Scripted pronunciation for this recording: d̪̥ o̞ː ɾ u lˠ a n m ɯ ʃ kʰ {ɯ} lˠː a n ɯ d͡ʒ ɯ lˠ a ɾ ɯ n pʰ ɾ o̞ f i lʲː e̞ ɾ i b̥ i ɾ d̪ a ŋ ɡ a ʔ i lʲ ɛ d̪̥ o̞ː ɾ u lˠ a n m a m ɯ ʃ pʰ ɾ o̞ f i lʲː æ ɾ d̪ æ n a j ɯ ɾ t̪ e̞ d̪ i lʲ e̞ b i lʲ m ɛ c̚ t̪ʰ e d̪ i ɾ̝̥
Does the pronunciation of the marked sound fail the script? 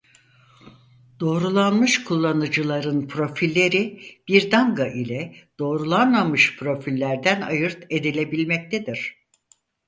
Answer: yes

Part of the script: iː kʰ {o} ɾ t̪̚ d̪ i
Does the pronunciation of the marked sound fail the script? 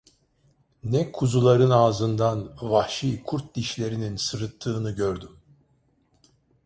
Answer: yes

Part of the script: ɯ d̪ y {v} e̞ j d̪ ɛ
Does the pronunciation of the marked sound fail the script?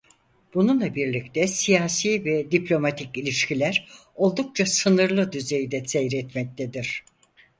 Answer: yes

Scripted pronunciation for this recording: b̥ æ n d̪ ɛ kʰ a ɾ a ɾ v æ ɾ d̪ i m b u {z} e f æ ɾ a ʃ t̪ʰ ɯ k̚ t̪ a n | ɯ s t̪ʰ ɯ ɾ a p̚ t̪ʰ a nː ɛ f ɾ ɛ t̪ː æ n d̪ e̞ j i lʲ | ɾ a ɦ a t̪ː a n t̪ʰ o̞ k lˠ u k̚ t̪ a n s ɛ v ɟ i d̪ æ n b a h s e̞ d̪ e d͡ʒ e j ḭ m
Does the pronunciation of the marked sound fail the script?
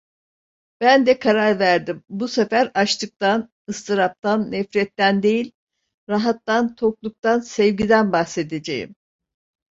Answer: yes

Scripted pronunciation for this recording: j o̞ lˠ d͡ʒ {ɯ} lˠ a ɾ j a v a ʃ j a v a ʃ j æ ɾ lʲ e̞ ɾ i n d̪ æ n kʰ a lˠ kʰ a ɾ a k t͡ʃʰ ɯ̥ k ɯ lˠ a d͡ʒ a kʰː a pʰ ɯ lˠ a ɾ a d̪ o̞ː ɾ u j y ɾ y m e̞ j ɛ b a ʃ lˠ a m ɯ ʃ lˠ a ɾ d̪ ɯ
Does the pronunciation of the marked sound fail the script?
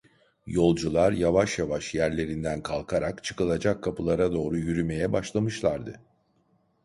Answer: yes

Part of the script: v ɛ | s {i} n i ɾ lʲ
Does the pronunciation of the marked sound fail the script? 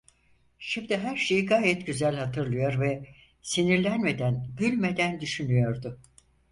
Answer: no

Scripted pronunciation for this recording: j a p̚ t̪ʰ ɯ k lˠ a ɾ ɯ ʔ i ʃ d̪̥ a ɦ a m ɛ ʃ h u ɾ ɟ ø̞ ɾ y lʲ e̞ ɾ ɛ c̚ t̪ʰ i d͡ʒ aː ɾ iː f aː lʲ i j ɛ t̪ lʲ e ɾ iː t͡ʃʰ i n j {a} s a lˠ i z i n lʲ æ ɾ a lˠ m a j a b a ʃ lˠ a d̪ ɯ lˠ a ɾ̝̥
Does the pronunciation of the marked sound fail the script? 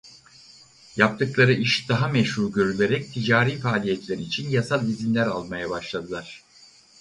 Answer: no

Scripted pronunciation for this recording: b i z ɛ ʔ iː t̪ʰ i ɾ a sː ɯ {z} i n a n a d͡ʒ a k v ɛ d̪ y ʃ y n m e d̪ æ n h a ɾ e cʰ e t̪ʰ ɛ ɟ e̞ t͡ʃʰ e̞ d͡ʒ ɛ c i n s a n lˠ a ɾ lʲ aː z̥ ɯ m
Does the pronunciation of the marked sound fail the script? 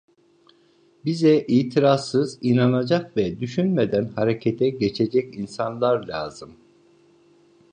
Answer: no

